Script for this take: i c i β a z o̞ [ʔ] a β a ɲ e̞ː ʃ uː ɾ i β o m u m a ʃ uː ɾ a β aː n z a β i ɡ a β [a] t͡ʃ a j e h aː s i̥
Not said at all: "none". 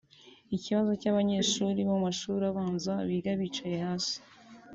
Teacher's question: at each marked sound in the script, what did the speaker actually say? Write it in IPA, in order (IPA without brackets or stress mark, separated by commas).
c, i